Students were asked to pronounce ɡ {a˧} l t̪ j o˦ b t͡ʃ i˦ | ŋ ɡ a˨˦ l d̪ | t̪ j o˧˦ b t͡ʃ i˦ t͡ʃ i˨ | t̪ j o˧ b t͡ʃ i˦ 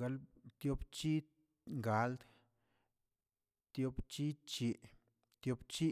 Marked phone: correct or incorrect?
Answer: correct